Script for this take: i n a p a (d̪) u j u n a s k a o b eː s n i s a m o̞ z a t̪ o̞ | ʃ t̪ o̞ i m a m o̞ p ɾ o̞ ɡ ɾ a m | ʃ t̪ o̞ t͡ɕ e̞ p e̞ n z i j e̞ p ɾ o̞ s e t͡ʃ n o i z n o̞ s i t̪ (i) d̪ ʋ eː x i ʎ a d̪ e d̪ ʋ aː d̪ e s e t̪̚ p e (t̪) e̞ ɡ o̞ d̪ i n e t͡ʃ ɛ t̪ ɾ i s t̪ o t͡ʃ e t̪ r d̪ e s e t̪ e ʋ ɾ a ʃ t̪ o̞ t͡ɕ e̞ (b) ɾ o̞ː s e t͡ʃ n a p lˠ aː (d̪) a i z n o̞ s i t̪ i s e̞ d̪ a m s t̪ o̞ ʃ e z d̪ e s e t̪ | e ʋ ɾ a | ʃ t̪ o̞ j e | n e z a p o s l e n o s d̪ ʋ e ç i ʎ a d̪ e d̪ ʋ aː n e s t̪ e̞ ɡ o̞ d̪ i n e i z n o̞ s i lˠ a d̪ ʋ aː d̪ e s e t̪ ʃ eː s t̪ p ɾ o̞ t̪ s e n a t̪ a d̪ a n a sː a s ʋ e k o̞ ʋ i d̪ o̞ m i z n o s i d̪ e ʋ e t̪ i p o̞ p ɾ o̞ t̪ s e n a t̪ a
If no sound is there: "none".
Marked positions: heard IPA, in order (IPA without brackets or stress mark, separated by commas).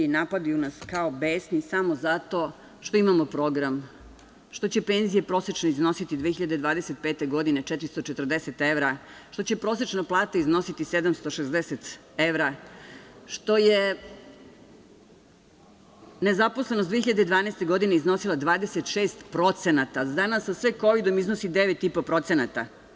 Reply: d̪, i, t̪, p, t̪